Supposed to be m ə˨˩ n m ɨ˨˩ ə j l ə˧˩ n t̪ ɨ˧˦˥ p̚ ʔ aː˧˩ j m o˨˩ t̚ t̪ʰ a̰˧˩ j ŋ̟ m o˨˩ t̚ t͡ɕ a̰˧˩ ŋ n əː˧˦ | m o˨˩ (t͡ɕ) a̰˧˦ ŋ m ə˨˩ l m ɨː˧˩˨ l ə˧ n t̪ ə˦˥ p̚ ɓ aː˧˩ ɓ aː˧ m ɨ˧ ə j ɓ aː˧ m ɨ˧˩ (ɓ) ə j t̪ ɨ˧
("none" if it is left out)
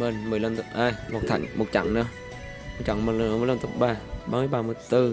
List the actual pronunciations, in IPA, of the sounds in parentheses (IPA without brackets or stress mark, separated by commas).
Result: t͡ɕ, none